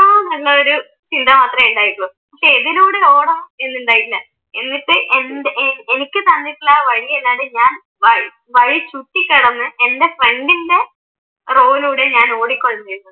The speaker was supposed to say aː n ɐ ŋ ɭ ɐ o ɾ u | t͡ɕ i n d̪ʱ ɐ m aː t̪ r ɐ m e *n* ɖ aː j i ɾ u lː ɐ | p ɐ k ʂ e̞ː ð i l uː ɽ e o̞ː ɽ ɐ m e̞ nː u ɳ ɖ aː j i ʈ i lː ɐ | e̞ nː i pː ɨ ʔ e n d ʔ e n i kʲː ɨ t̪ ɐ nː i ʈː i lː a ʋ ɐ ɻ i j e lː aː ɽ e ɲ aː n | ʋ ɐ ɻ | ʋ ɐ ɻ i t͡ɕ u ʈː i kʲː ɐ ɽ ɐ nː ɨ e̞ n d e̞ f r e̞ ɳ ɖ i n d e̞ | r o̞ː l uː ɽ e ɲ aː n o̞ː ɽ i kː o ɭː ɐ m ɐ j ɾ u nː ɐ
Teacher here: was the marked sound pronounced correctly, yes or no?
no